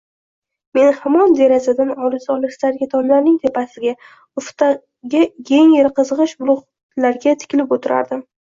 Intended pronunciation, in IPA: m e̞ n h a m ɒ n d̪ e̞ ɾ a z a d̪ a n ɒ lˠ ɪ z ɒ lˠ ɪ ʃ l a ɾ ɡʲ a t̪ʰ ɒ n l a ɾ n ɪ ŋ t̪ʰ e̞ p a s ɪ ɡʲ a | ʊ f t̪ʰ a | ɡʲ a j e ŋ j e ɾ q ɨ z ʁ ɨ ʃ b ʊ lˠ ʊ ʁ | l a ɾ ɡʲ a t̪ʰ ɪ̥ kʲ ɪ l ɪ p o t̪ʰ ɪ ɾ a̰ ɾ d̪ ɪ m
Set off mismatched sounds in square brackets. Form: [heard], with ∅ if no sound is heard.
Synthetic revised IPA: m e̞ n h a m ɒ n d̪ e̞ ɾ a z a d̪ a n ɒ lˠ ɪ z ɒ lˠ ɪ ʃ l a ɾ ɡʲ a t̪ʰ ɒ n l a ɾ n ɪ ŋ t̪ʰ e̞ p a s ɪ ɡʲ a | ʊ f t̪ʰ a | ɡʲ a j e ŋ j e ɾ q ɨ z ʁ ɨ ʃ b ʊ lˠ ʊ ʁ | l a ɾ ɡʲ a t̪ʰ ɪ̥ kʲ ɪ l ɪ p o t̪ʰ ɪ ɾ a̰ ɾ d̪ ɪ m